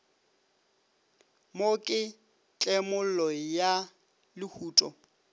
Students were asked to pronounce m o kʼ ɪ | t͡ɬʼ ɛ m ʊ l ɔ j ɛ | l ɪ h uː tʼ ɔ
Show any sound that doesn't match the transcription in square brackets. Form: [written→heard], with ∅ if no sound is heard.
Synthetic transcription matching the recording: m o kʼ ɪ | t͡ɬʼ ɛ m ʊ l ɔ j [ɛ→a] | l ɪ h uː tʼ ɔ